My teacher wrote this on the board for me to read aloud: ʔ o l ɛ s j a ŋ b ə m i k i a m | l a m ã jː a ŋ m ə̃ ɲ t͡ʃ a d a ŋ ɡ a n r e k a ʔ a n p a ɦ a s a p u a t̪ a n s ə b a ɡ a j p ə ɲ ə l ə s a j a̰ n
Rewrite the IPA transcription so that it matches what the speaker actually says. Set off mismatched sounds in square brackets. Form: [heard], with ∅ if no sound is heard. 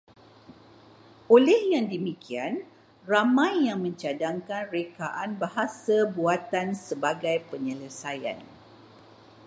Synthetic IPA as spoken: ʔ o l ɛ [h] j a ŋ [d] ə m i k i a [n] | [r] a m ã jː a ŋ m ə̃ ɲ t͡ʃ a d a ŋ [k] a n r e k a ʔ a n [b] a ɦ a s a [b] u a t̪ a n s ə b a ɡ a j p ə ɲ ə l ə s a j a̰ n